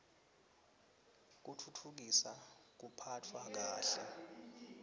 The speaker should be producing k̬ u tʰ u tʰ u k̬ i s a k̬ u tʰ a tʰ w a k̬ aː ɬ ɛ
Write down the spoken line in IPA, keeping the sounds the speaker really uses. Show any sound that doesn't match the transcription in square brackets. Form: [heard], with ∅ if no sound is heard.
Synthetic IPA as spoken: k̬ u tʰ u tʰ u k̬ i s a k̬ u [pʰ] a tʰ w a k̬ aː ɬ ɛ